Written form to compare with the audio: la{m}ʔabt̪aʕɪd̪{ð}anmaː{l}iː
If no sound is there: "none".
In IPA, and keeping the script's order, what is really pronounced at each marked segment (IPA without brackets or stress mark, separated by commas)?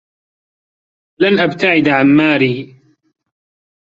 n, ʕ, ɾ